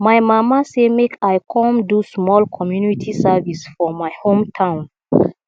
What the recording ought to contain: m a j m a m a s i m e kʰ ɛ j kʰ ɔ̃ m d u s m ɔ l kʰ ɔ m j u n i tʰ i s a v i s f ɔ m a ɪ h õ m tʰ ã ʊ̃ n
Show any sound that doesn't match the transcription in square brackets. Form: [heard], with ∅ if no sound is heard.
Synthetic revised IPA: m a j m a m a s [e] m e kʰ [a] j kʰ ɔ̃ m d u s m ɔ l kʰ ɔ m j u n i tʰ i s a v i s f ɔ m a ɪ h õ m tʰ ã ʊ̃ n